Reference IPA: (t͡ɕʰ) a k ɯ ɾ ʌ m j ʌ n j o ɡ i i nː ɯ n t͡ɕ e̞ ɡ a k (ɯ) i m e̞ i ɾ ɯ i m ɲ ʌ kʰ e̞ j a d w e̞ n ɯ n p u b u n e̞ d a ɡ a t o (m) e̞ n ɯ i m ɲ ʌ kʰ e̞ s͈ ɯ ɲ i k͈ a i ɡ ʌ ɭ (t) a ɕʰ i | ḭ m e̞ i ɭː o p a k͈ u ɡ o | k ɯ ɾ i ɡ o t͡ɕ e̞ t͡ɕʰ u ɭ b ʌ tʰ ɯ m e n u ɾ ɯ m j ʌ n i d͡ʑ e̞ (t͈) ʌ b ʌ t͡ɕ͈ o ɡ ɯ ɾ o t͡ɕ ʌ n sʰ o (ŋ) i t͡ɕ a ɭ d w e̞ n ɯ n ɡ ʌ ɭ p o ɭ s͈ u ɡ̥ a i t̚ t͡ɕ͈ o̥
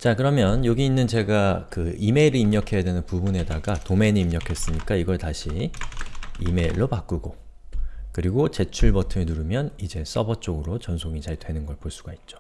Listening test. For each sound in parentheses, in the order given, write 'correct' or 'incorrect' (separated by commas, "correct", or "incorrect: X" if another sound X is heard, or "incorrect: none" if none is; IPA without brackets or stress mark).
incorrect: t͡ɕ, correct, correct, correct, incorrect: s͈, correct